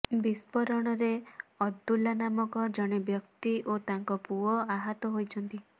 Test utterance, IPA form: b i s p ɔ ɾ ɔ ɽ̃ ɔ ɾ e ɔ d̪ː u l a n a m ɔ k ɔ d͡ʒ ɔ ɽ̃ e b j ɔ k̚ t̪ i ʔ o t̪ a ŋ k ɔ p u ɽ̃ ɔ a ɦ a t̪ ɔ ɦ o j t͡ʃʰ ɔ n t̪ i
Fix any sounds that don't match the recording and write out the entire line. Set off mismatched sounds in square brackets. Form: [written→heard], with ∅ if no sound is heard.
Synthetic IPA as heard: b i s p ɔ ɾ ɔ ɽ̃ ɔ ɾ e ɔ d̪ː u l a n a m ɔ k ɔ d͡ʒ ɔ ɽ̃ e b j ɔ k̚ t̪ i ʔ o t̪ a ŋ k ɔ p u [ɽ̃→∅] ɔ a ɦ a t̪ ɔ ɦ o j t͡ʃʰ ɔ n t̪ i